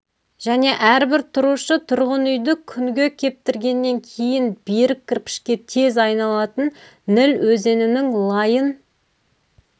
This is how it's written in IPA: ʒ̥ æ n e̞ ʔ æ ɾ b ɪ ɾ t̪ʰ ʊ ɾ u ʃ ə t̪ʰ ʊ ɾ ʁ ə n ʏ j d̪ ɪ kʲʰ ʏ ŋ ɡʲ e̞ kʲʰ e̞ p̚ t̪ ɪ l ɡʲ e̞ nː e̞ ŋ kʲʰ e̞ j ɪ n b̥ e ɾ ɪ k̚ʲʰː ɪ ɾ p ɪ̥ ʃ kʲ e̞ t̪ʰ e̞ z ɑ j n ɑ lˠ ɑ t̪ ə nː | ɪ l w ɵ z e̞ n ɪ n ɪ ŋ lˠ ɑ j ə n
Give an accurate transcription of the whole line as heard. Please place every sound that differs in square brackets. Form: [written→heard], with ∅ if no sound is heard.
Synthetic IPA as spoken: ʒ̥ æ n e̞ ʔ æ ɾ b ɪ ɾ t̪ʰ ʊ ɾ u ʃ ə t̪ʰ ʊ ɾ ʁ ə n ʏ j d̪ ɪ kʲʰ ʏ ŋ ɡʲ e̞ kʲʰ e̞ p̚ t̪ ɪ [l→ɾ] ɡʲ e̞ nː e̞ ŋ kʲʰ e̞ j ɪ n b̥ e ɾ ɪ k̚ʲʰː ɪ ɾ p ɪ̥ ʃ kʲ e̞ t̪ʰ e̞ z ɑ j n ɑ lˠ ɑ t̪ ə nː | ɪ l w ɵ z e̞ n ɪ n ɪ ŋ lˠ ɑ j ə n

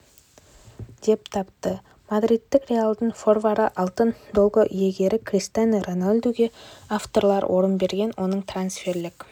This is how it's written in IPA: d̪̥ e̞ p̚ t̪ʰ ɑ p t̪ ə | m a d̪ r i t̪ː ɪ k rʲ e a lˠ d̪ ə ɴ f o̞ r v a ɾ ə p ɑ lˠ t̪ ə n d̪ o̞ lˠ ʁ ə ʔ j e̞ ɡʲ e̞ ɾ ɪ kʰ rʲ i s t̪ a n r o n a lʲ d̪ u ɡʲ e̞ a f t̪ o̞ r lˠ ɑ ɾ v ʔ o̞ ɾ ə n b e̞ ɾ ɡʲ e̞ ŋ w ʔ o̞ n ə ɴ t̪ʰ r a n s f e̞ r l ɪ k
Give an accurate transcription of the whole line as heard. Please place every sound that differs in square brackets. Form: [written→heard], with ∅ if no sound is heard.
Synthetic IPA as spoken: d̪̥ e̞ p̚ t̪ʰ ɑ p t̪ ə | m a d̪ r i t̪ː ɪ k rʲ e a lˠ d̪ ə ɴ f o̞ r v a ɾ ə [p→ʔ] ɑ lˠ t̪ ə n d̪ o̞ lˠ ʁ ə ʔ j e̞ ɡʲ e̞ ɾ ɪ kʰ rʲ i s t̪ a n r o n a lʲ d̪ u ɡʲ e̞ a f t̪ o̞ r lˠ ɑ ɾ [v→w] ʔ o̞ ɾ ə n b e̞ ɾ ɡʲ e̞ [ŋ→n] w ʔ o̞ n ə ɴ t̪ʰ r a n s f e̞ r l ɪ k

